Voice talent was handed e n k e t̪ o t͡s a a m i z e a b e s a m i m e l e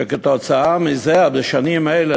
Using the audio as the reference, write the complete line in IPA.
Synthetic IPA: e k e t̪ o t͡s a a m i z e a b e ʃ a n i m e l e